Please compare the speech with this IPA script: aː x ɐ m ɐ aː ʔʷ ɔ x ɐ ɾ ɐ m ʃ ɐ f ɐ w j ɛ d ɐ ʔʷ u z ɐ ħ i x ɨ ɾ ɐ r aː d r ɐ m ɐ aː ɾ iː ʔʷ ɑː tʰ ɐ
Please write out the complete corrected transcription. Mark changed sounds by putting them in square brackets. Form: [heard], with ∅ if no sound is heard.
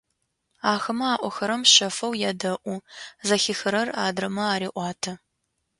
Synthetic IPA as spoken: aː x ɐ m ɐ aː ʔʷ ɔ x ɐ ɾ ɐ m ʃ ɐ f ɐ w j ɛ d ɐ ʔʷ u z ɐ [x] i x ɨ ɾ ɐ r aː d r ɐ m ɐ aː ɾ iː ʔʷ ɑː tʰ ɐ